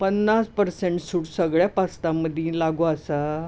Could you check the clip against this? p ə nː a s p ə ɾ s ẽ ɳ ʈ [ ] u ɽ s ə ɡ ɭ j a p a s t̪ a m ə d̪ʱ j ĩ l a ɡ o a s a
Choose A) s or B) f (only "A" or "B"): A